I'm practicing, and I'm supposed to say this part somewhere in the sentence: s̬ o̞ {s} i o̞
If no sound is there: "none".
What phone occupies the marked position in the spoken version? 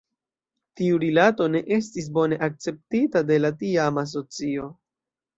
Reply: t͡s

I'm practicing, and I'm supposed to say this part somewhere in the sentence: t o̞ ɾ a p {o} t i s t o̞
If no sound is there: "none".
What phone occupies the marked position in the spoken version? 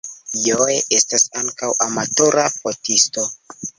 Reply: o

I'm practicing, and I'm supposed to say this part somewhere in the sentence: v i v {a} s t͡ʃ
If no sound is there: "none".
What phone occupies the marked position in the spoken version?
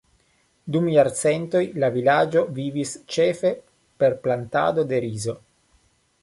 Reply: i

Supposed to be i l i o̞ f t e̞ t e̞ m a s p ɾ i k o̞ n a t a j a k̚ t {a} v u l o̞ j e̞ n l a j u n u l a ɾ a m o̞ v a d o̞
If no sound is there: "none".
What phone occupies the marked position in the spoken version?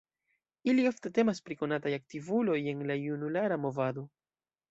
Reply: i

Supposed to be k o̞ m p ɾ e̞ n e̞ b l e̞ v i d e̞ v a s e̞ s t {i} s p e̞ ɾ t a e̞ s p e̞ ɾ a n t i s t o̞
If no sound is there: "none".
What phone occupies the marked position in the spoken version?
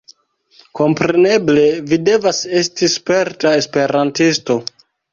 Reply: i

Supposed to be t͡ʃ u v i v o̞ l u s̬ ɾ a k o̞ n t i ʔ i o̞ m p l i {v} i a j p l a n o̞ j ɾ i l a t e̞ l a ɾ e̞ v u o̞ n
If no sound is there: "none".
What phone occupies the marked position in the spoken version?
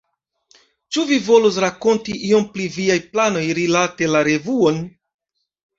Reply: v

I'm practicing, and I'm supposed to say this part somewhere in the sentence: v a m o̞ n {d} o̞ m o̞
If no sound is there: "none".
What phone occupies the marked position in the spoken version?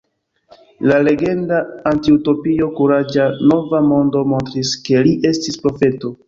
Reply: d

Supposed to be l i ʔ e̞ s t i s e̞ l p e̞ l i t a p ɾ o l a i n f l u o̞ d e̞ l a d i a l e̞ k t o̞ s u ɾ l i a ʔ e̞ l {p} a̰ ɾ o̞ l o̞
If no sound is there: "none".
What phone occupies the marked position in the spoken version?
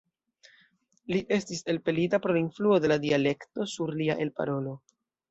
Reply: p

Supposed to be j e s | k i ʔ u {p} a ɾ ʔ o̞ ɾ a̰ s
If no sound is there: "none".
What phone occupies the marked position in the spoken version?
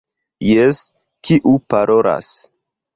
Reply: p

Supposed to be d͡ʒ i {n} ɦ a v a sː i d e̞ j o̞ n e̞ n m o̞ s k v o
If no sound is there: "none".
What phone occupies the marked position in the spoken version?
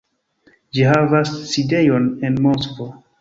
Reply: none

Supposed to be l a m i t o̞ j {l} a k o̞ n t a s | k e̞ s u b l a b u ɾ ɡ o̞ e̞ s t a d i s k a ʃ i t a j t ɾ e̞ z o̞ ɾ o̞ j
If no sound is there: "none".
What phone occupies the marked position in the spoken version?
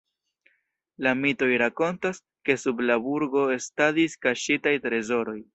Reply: ɾ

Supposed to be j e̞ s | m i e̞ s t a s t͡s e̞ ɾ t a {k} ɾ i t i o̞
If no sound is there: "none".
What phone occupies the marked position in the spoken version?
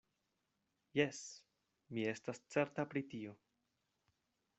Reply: p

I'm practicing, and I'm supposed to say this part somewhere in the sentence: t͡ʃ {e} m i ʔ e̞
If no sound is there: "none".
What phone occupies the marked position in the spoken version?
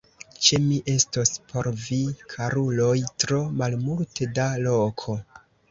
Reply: e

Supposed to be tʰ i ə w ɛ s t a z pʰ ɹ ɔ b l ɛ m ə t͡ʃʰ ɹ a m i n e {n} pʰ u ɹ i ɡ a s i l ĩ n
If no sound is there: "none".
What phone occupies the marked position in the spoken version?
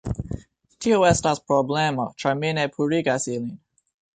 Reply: none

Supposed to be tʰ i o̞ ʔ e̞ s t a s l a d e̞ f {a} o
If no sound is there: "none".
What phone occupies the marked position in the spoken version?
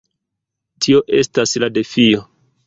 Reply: i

